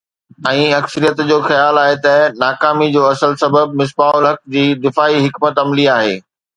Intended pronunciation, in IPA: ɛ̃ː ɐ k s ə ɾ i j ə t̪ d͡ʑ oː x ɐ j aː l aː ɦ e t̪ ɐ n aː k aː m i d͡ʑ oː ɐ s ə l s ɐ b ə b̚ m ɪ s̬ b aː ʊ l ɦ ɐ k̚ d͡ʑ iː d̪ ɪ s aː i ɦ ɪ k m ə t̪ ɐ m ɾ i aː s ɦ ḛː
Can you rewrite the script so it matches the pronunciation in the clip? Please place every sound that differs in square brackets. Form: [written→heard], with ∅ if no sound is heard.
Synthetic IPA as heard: ɛ̃ː ɐ k s ə ɾ i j ə t̪ d͡ʑ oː x ɐ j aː l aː ɦ e t̪ ɐ n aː k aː m i d͡ʑ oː ɐ s ə l s ɐ b ə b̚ m ɪ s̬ b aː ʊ l ɦ ɐ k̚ d͡ʑ iː d̪ ɪ [s→f] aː i ɦ ɪ k m ə t̪ ɐ m [ɾ→l] i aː [s→∅] ɦ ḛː